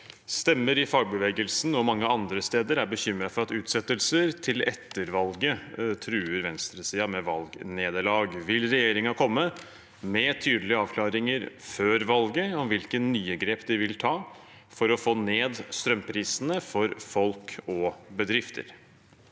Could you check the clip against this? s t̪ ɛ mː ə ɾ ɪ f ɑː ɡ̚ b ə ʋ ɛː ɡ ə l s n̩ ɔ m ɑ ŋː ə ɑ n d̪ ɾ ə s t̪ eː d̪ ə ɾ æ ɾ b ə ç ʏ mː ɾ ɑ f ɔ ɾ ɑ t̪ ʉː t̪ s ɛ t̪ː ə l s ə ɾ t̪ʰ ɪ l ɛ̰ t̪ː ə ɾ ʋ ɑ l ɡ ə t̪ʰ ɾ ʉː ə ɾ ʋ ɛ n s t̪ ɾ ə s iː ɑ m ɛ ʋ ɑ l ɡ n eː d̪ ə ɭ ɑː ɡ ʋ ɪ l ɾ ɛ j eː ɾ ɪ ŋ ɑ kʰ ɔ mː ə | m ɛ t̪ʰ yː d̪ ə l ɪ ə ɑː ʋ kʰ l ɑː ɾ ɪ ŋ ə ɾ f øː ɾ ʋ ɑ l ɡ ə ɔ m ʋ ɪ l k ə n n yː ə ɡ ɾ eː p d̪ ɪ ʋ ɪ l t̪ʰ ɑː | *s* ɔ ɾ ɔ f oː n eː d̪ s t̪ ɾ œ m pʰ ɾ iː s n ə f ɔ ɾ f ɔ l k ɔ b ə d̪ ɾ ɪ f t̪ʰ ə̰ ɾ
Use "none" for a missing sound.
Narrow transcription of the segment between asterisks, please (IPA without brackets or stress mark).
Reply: f